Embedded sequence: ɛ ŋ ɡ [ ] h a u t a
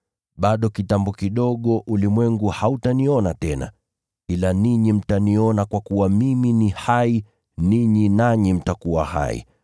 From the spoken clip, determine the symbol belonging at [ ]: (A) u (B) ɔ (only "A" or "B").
A